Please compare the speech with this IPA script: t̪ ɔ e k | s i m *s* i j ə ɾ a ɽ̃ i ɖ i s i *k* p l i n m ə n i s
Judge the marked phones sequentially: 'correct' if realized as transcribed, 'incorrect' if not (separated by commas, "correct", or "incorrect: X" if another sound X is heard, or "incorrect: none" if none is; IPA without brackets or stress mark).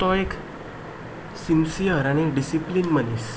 correct, incorrect: none